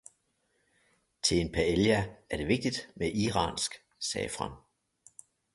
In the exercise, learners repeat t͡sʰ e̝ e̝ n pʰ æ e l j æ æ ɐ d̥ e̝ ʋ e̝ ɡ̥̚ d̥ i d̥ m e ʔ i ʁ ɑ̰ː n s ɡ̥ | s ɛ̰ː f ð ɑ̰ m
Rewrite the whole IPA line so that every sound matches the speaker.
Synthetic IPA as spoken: t͡sʰ e̝ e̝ n pʰ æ e l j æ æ ɐ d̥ e̝ ʋ e̝ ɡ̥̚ d̥ i d̥ m e ʔ i ʁ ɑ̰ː n s ɡ̥ | s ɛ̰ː f ʁ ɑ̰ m